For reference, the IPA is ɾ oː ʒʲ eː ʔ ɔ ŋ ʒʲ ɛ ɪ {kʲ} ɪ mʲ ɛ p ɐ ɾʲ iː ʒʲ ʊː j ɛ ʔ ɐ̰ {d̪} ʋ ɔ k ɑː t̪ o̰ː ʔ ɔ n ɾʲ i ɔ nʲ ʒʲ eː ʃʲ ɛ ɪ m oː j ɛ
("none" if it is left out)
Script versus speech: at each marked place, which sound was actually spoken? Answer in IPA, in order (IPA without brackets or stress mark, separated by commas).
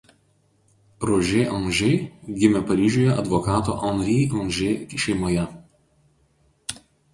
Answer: ɡʲ, d̪